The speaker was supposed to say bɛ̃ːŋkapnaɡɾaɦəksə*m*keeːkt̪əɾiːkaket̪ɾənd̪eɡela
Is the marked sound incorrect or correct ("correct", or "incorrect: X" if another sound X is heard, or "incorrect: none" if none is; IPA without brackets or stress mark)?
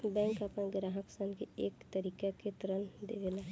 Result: incorrect: n